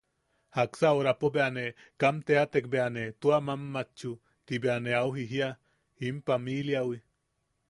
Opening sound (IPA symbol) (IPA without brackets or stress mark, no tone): h